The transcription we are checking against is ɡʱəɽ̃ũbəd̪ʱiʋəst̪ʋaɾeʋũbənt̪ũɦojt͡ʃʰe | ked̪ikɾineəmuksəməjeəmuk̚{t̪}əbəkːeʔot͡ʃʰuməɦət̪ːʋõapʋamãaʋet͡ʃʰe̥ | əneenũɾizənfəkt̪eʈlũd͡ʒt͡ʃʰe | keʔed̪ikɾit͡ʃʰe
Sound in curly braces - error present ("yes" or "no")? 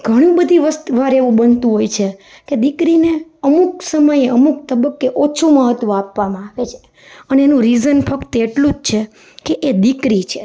no